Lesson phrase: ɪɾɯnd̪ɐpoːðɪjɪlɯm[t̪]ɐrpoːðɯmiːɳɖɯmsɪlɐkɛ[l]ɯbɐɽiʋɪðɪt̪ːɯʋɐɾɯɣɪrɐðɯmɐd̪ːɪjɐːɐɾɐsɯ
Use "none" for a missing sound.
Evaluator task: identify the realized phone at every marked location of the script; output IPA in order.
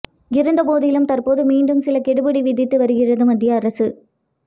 t̪, ɽ

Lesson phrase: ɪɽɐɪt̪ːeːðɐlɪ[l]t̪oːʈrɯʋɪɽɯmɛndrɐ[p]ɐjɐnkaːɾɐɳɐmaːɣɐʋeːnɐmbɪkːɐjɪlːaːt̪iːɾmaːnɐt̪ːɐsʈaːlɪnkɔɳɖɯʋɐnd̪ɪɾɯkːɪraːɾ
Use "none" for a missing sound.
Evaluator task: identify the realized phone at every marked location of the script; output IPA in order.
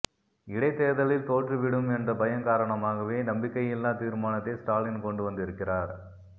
l, b

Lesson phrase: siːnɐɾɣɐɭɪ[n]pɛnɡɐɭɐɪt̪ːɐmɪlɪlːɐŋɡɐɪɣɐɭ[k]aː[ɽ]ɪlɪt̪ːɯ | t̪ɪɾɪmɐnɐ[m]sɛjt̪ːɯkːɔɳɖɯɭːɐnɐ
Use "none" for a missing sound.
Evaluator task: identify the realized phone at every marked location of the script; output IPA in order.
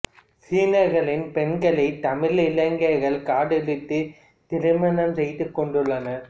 n, k, ɽ, m

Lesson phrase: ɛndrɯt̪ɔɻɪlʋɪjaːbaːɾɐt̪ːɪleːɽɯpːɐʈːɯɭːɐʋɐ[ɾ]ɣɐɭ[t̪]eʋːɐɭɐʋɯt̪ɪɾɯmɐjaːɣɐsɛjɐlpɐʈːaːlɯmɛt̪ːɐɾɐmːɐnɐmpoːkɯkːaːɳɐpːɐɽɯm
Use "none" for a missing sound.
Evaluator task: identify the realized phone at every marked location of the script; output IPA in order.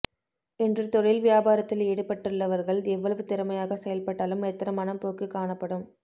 ɾ, d̪

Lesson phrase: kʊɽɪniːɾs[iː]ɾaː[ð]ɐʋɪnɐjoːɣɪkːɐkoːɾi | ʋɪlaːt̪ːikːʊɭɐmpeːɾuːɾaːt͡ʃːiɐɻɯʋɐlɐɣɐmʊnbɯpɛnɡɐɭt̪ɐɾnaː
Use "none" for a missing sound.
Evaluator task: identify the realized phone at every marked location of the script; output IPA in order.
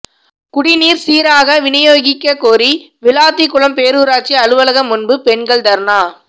iː, ɣ

